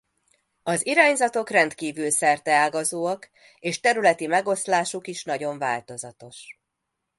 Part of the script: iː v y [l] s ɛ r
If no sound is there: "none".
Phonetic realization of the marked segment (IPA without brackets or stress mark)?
l